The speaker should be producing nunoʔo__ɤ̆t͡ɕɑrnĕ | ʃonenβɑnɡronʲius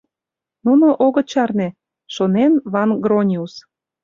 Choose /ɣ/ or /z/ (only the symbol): ɣ